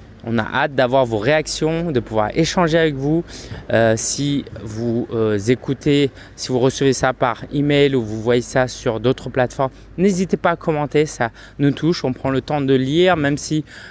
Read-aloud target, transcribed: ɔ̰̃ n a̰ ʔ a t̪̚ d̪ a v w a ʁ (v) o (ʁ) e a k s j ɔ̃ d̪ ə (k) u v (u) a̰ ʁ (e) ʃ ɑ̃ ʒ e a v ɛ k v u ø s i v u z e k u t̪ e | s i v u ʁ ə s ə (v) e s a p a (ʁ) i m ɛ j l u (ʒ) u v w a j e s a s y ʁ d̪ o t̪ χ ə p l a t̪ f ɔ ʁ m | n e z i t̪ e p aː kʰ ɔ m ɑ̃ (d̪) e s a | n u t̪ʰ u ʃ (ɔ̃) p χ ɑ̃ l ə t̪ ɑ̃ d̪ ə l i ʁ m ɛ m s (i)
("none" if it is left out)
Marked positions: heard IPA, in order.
v, ʁ, p, w, e, v, ʁ, v, t̪, ɔ̃, i

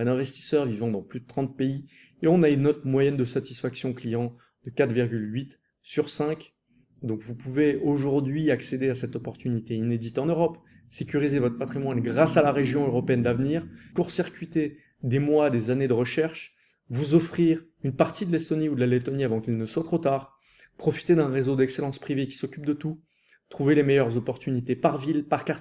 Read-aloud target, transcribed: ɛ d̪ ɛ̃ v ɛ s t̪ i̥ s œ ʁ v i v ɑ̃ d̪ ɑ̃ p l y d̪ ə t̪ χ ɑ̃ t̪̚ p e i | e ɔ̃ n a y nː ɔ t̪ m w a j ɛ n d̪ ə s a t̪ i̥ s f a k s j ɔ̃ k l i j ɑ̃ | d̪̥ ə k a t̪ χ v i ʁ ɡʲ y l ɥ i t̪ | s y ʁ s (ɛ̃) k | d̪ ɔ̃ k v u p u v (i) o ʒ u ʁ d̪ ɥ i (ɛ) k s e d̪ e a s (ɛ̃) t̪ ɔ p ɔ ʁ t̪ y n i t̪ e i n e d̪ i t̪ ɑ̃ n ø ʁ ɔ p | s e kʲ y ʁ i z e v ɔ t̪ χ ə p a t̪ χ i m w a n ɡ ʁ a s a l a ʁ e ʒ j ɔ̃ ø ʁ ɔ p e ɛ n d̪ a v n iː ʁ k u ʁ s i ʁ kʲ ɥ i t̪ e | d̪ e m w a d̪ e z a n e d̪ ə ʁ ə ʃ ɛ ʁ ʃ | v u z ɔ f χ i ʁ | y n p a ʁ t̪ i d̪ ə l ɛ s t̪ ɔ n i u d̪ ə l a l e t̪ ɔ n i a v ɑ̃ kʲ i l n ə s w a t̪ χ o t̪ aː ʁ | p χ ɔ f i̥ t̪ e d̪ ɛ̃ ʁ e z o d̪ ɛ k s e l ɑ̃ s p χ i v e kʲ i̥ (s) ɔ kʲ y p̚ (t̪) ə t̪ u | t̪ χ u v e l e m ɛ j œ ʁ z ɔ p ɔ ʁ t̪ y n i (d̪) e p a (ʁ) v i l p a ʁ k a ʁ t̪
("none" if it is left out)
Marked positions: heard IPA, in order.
ɛ̃, e, a, ɛ, s, d̪, t̪, ʁ

